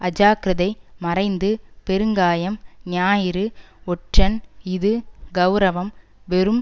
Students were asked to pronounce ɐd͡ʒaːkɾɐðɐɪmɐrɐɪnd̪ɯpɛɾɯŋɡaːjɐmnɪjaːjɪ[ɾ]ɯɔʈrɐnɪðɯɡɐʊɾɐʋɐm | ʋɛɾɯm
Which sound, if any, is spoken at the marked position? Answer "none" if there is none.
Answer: ɾ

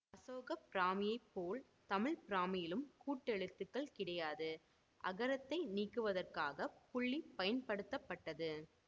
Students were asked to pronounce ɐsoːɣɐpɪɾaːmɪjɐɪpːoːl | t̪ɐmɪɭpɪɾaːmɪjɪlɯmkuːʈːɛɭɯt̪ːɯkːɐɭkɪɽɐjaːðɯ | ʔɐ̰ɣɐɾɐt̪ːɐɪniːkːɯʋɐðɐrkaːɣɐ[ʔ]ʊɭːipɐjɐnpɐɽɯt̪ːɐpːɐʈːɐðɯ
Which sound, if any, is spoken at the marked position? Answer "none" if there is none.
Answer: p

